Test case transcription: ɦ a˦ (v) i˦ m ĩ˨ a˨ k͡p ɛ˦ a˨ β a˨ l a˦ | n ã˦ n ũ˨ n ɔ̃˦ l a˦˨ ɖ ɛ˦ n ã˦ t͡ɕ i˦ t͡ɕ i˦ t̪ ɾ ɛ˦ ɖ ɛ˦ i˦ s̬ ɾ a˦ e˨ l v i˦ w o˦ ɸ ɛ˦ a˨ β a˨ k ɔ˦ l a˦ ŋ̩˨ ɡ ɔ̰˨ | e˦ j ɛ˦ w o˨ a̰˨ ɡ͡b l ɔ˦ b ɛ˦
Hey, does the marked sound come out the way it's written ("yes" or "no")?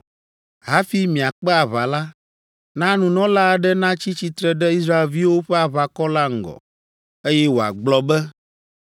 no